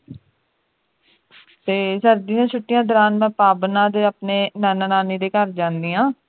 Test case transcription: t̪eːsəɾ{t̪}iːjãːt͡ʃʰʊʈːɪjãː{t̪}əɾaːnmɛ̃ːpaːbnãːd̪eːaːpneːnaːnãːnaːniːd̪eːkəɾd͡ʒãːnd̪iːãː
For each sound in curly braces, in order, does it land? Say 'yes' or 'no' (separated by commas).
no, no